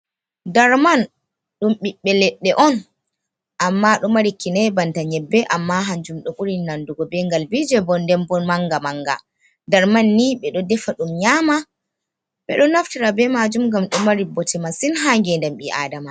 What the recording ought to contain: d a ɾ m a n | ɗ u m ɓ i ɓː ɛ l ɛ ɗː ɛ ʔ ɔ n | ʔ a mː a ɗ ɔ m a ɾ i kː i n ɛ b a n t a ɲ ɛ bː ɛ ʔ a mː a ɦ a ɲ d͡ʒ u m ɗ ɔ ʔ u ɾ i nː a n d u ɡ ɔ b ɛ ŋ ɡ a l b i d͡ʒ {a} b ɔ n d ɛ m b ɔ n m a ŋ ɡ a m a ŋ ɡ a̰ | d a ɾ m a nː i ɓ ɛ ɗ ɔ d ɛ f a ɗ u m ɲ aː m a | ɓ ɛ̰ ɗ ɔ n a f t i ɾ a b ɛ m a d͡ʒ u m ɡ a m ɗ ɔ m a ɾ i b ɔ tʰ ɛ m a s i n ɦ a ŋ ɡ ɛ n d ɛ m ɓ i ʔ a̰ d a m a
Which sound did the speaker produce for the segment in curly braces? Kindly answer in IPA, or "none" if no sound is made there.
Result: ɛ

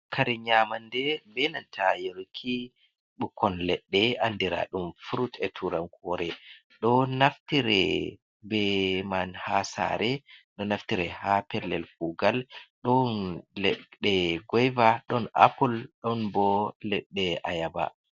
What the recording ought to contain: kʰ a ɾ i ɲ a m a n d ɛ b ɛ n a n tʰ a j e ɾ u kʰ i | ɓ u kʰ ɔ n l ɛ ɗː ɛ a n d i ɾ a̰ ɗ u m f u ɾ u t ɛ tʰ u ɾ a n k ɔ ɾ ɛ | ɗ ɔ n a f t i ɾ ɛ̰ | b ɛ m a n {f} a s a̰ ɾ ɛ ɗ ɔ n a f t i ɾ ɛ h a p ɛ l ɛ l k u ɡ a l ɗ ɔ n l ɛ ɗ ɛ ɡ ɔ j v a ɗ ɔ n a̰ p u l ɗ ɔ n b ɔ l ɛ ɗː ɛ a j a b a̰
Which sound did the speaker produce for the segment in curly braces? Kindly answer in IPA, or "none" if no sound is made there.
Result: h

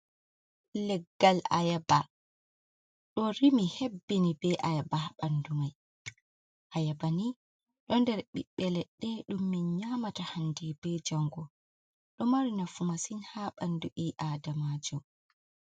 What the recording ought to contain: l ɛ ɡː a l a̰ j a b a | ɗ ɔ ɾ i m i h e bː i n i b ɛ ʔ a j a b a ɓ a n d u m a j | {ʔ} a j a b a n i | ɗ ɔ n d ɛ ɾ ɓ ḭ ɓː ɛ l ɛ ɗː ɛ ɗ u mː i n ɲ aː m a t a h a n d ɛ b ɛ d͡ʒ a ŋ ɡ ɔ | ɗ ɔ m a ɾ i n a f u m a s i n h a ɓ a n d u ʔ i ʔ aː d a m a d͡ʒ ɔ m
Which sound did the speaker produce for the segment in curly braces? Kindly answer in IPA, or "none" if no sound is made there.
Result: ʔ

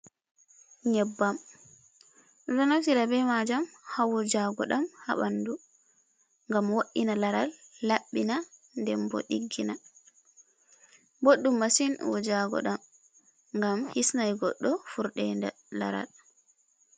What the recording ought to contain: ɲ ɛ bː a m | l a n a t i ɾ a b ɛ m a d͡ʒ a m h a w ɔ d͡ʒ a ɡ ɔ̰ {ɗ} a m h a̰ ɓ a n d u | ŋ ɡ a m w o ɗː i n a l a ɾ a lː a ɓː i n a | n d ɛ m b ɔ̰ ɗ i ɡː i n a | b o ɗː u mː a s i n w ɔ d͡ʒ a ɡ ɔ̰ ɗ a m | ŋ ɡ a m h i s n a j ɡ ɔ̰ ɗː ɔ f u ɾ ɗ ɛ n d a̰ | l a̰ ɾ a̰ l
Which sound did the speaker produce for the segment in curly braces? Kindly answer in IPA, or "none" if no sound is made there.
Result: ɗ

